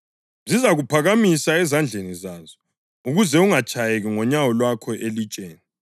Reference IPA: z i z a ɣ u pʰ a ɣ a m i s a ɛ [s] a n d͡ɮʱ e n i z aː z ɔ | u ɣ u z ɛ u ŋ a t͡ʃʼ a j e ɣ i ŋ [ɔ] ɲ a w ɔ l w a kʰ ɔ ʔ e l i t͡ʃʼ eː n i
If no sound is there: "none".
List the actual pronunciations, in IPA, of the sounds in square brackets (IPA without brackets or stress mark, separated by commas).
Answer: z, ɔ